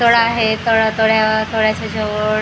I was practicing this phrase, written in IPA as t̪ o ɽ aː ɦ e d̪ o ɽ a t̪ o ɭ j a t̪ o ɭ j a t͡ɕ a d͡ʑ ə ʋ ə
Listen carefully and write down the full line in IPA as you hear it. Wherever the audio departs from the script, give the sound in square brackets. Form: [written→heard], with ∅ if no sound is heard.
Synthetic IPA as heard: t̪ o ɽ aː ɦ e [d̪→t̪] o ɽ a t̪ o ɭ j a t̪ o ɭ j a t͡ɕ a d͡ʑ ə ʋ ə